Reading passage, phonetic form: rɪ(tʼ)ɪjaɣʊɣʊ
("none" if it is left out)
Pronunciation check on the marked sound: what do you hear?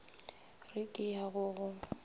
kʼ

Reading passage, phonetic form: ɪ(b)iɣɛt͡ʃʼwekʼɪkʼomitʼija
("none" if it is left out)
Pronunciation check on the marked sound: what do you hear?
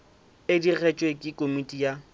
d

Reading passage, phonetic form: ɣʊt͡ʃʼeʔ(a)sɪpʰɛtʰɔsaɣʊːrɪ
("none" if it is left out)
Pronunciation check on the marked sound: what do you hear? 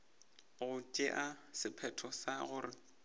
a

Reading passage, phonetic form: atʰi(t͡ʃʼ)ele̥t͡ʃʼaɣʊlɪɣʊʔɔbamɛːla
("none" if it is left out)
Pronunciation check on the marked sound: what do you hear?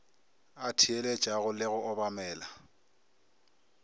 none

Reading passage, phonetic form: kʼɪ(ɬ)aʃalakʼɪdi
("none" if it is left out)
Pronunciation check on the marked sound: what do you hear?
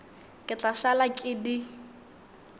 t͡ɬ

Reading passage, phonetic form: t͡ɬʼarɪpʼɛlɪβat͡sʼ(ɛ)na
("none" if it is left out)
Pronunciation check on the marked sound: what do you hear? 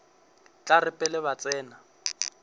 ɛː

